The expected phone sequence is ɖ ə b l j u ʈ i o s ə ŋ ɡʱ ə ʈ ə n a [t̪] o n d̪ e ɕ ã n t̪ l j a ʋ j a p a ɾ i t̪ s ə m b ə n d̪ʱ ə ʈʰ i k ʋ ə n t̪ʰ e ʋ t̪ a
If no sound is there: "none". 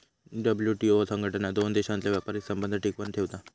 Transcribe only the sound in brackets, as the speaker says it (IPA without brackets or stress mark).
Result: d̪